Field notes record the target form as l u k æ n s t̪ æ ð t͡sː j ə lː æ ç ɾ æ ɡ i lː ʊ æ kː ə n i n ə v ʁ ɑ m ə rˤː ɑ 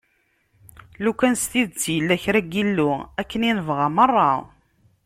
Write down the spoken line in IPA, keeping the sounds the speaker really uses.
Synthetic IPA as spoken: l u k æ n s t̪ i ð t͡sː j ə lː æ ç ɾ æ ɡ i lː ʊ æ kː ə n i n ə v ʁ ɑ m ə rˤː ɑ